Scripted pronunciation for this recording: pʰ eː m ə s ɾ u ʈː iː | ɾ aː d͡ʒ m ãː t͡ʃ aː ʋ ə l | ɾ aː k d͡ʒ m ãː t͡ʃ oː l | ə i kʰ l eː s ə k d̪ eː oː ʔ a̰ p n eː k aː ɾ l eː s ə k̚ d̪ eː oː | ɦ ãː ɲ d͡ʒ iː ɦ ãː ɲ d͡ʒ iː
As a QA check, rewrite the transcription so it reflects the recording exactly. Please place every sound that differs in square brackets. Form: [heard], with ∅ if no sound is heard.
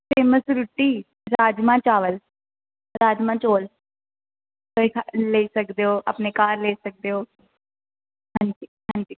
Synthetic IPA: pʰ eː m ə s ɾ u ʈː iː | ɾ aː d͡ʒ m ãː t͡ʃ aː ʋ ə l | ɾ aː [∅] d͡ʒ m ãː t͡ʃ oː l | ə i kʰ l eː s ə k d̪ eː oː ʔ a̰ p n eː k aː ɾ l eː s ə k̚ d̪ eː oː | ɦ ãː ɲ d͡ʒ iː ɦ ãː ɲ d͡ʒ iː